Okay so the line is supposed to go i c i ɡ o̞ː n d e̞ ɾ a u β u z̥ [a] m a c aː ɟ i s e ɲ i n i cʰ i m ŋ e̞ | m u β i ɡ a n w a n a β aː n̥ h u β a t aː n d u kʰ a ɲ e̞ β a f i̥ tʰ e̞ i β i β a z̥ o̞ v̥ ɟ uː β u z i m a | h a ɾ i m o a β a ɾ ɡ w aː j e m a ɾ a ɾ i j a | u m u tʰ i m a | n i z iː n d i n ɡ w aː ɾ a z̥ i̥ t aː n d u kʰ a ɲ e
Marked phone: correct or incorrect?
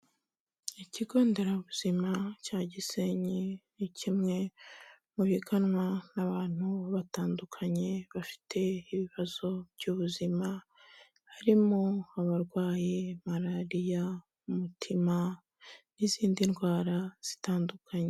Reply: incorrect: i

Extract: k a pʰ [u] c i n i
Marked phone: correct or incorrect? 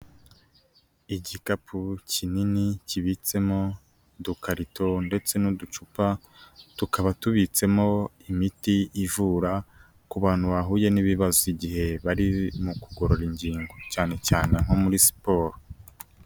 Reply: correct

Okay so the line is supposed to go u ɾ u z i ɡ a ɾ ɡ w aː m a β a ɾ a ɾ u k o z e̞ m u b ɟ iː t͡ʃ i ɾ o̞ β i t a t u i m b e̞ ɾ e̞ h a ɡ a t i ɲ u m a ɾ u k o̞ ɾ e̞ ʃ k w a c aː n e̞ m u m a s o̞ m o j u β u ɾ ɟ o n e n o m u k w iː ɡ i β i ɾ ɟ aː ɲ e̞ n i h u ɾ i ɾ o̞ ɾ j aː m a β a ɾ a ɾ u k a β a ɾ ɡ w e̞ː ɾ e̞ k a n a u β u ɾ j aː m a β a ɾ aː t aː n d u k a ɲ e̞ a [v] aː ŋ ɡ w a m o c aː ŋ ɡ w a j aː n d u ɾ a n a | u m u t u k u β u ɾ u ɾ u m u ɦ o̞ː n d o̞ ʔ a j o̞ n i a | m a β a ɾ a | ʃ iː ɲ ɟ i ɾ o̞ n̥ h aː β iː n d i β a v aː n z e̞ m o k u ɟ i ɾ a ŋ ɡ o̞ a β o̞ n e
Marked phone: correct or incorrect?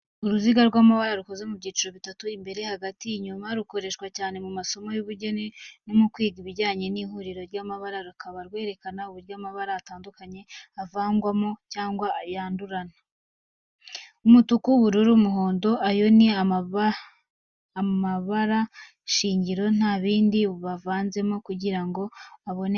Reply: correct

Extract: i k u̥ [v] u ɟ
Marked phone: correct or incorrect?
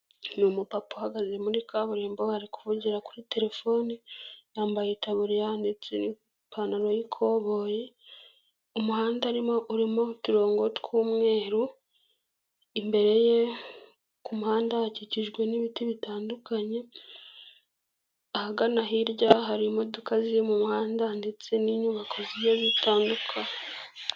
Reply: correct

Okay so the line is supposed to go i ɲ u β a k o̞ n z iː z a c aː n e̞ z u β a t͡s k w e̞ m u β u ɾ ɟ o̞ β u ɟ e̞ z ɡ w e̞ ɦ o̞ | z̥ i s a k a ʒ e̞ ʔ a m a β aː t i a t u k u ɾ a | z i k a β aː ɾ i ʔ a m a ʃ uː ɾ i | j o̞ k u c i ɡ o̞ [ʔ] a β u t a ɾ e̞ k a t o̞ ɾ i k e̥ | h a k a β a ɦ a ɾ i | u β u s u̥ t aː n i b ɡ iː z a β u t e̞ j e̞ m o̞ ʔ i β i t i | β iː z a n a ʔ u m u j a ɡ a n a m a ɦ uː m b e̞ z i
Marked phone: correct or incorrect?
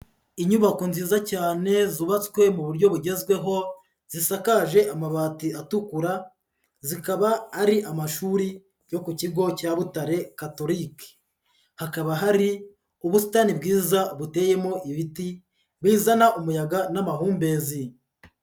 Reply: incorrect: c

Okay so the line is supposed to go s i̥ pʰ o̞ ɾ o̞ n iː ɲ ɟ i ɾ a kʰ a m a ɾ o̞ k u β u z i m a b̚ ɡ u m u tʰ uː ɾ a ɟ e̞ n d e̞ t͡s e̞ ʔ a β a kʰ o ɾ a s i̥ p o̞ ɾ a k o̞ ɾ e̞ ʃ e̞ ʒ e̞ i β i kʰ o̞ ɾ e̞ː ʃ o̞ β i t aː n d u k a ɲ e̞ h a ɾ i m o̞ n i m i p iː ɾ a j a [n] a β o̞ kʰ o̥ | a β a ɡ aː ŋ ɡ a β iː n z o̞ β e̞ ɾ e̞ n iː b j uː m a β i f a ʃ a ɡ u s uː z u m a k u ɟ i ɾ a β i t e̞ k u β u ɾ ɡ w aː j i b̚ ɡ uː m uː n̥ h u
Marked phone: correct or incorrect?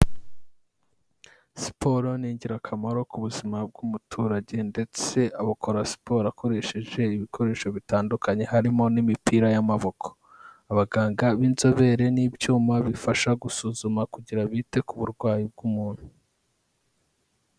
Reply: incorrect: m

